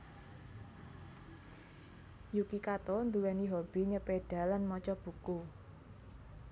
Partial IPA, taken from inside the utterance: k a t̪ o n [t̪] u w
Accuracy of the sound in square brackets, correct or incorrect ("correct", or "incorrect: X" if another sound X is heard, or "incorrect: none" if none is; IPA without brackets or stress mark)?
incorrect: d̪